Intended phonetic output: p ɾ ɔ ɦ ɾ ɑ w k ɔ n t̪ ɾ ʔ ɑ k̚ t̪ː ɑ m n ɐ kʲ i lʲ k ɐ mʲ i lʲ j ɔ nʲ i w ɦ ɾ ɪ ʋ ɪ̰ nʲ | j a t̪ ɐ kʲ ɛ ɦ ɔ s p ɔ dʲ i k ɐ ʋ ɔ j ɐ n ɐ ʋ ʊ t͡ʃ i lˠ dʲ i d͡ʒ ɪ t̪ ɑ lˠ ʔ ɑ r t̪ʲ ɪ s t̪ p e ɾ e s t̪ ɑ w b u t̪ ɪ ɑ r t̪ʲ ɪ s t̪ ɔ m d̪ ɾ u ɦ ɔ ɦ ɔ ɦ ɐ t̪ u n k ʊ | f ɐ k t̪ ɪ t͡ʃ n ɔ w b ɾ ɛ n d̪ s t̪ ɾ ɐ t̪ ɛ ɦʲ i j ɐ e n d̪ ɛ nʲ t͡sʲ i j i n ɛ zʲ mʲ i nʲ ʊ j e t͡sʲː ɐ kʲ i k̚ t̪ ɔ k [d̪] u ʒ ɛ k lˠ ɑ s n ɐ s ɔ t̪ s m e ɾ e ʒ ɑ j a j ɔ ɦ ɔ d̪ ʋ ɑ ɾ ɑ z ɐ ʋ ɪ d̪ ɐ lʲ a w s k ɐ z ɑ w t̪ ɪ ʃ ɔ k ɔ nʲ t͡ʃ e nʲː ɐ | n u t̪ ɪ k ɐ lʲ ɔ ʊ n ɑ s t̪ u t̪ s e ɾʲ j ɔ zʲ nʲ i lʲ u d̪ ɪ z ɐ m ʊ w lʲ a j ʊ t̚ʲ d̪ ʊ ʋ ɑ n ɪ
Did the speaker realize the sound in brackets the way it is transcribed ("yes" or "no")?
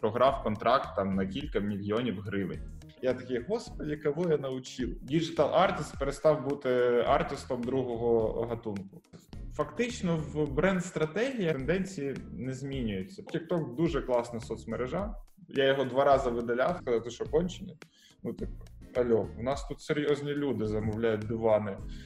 yes